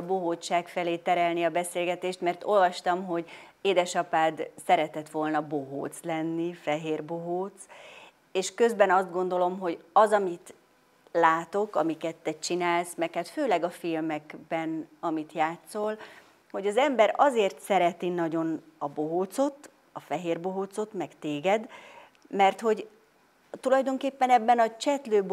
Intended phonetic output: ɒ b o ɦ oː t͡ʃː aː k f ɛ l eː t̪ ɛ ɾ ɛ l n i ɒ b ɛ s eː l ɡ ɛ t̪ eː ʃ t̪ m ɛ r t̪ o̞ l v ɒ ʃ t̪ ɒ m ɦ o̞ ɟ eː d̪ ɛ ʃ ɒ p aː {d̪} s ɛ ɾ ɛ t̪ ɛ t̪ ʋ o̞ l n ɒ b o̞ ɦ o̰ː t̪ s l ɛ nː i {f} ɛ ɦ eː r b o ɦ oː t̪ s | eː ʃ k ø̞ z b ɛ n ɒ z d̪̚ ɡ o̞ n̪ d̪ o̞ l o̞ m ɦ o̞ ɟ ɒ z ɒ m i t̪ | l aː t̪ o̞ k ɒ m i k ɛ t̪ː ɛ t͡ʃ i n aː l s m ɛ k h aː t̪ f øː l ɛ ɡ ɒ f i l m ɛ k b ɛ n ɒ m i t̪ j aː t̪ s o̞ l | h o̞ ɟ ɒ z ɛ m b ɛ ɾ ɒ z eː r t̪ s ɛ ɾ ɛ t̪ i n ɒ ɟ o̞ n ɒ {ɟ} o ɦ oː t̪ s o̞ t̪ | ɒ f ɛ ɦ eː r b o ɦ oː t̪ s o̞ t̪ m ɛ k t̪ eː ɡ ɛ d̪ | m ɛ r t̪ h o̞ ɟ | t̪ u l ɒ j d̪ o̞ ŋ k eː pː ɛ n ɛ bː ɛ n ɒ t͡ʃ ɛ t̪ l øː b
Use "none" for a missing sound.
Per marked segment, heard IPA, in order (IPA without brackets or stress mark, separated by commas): d̪, f, b